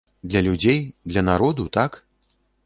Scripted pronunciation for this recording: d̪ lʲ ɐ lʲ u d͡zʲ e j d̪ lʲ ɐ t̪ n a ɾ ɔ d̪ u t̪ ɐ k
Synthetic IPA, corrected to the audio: d̪ lʲ ɐ lʲ u d͡zʲ e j d̪ lʲ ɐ n a ɾ ɔ d̪ u t̪ a k